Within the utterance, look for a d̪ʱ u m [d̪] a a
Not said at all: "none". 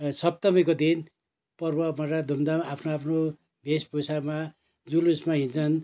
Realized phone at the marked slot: d̪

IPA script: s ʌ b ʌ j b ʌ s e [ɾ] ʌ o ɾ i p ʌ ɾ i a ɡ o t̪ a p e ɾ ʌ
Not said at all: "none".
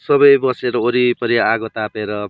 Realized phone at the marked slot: ɾ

